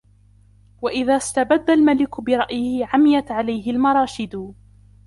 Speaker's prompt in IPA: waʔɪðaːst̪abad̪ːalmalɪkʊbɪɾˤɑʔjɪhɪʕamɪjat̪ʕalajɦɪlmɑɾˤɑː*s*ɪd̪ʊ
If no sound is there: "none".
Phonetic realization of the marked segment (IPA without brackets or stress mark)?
ʃ